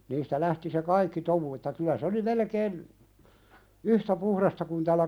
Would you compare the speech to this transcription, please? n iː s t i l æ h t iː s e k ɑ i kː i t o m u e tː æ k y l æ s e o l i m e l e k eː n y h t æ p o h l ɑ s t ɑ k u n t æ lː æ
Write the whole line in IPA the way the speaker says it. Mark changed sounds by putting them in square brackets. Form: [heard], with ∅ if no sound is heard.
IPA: n iː s t [æ] l æ h t [i] s e k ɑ i kː i t o m u e tː æ k y l æ s e o l i m e l e k eː n y h t æ p [u] h [r] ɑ s t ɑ k u n t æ lː æ